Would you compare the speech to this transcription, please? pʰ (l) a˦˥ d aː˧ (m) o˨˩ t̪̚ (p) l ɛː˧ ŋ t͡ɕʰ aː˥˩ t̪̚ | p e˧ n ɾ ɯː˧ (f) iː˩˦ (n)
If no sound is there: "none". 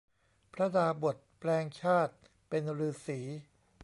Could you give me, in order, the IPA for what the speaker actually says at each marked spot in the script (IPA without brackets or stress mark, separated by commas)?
ɾ, b, p, s, none